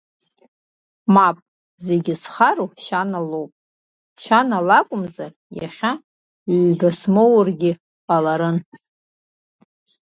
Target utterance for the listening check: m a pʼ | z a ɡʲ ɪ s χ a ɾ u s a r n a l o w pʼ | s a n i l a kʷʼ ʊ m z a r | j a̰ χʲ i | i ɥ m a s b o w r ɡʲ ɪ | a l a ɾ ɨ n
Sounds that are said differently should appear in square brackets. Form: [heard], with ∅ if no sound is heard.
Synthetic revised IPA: m a pʼ | z [e] ɡʲ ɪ s χ a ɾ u [ʃ] a [∅] n a l o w pʼ | [ʃ] a n [a] l a kʷʼ ʊ m z a r | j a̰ χʲ [a] | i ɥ [b] a s [m] o w r ɡʲ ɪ | a l a ɾ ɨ n